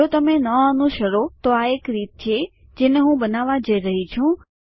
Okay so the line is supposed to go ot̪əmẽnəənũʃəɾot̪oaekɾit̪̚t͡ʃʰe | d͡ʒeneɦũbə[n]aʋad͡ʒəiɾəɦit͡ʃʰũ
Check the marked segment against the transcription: correct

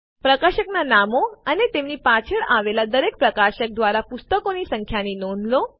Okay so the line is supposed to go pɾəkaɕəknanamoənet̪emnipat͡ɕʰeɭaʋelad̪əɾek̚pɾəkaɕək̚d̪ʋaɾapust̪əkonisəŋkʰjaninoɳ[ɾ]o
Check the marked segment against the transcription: incorrect: l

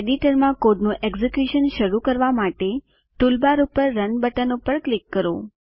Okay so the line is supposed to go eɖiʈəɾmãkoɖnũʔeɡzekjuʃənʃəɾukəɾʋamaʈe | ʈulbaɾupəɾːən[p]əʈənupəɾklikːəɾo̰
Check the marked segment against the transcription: incorrect: b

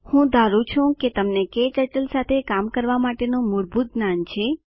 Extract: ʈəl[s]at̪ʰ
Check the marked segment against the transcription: correct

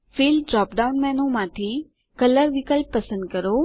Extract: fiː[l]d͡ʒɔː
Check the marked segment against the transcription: correct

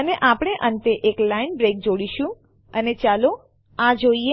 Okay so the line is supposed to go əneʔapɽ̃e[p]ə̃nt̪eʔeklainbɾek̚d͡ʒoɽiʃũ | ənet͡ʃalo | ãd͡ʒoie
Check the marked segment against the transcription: incorrect: ʔ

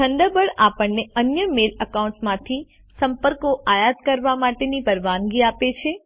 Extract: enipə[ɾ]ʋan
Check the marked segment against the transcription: correct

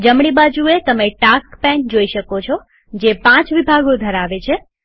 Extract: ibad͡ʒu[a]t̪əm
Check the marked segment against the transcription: incorrect: e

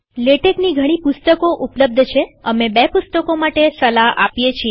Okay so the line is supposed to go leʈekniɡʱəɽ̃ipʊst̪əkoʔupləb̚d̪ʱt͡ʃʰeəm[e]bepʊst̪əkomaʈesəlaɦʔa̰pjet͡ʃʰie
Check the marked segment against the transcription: correct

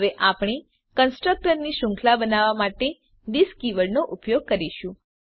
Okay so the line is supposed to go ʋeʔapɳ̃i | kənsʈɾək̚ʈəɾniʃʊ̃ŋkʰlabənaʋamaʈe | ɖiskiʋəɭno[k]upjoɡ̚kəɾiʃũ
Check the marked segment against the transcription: incorrect: ʔ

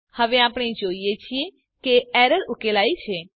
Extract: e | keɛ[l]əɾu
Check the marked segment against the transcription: incorrect: ɾ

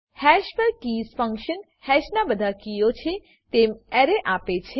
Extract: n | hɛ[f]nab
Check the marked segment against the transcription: incorrect: ʃ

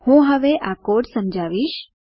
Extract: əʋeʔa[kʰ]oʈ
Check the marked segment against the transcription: incorrect: k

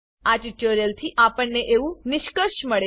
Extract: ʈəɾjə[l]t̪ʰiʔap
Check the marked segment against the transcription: correct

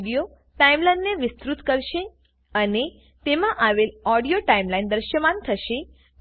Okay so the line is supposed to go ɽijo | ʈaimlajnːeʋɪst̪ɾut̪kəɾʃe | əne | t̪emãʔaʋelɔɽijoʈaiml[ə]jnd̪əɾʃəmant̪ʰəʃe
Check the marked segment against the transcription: incorrect: a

